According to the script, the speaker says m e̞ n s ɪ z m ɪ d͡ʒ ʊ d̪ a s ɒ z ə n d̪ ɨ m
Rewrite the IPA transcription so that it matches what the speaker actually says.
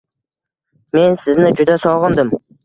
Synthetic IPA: m e̞ n s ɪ z n ɪ d͡ʒ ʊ d̪ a s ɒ ʁ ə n d̪ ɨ m